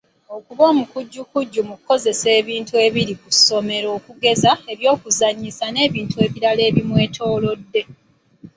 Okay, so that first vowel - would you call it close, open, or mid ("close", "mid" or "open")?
mid